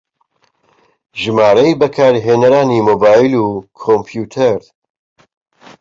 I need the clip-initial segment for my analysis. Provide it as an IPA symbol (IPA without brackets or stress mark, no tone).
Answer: ʒ